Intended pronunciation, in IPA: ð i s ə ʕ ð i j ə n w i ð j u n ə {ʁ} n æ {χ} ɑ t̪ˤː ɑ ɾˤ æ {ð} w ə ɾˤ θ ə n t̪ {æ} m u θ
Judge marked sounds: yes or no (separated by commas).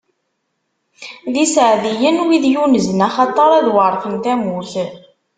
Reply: no, yes, yes, yes